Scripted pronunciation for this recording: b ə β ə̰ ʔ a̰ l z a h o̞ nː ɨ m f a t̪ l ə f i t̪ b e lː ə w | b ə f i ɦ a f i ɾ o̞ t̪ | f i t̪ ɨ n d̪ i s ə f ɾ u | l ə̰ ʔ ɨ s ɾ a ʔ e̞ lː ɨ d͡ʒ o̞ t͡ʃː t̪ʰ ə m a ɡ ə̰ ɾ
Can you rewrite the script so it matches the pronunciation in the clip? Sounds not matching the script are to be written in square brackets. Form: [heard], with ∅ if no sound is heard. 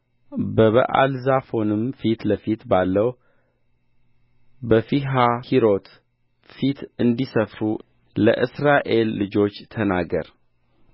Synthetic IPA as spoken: b ə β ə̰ ʔ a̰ l z a [f] o̞ [n] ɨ m f [i] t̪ l ə f i t̪ b [a] lː ə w | b ə f i ɦ a [h] i ɾ o̞ t̪ | f i t̪ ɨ n d̪ i s ə f ɾ u | l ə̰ ʔ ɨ s ɾ a ʔ e̞ lː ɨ d͡ʒ o̞ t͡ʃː t̪ʰ ə [n] a ɡ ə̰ ɾ